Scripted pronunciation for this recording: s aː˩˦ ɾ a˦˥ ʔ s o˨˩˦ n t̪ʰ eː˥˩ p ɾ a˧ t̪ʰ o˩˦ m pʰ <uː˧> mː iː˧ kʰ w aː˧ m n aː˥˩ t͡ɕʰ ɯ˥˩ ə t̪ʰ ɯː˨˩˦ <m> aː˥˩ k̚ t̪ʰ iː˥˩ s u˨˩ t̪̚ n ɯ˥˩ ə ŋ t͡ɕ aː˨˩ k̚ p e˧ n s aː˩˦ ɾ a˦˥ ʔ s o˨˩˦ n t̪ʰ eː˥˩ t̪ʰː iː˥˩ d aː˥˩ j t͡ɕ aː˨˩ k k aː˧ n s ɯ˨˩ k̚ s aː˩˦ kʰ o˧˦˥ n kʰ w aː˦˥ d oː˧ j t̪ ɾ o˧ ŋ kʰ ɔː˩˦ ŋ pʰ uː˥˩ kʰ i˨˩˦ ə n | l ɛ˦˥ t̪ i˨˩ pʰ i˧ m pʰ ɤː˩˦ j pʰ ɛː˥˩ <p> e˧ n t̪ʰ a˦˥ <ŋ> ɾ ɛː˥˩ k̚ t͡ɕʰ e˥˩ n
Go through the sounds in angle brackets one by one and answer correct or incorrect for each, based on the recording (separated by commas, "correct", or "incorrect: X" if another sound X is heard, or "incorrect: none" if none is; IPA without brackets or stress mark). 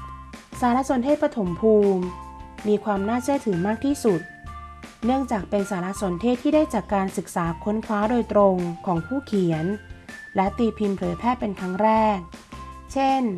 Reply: correct, correct, correct, correct